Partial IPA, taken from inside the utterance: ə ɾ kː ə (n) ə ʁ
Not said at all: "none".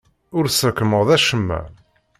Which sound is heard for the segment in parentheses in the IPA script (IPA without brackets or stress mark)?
m